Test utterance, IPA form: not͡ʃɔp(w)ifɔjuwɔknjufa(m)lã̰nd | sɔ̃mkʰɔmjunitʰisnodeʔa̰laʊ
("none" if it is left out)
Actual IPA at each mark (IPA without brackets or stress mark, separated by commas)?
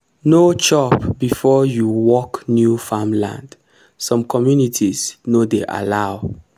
b, m